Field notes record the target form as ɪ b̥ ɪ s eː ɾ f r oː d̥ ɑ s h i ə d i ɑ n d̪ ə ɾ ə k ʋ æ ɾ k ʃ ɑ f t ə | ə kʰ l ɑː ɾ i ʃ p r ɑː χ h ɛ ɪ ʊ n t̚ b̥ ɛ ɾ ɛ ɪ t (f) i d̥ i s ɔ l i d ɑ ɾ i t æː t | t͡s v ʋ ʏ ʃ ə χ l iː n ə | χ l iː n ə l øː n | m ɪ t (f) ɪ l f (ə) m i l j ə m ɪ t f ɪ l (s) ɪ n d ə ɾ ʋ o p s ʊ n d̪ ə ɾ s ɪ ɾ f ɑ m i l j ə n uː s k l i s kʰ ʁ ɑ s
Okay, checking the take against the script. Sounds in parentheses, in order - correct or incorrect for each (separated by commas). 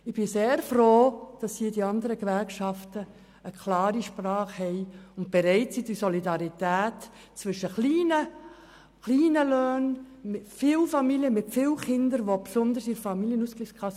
incorrect, correct, incorrect, incorrect